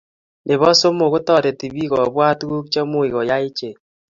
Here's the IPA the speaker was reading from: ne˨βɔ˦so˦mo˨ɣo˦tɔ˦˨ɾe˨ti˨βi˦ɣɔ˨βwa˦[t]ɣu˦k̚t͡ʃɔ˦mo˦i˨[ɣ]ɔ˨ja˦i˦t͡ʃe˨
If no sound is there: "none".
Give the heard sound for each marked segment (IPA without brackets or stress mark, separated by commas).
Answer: t, ɣ